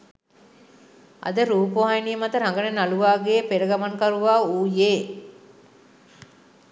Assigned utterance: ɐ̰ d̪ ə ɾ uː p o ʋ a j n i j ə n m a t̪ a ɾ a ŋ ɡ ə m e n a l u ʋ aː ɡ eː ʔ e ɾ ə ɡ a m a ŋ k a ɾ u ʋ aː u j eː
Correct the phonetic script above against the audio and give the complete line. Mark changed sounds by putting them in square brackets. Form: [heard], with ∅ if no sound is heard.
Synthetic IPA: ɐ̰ d̪ ə ɾ uː p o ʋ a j n i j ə [∅] m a t̪ [ə] ɾ a ŋ ɡ ə [n] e n a l u ʋ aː ɡ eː [p] e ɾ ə ɡ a m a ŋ k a ɾ u ʋ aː [uː] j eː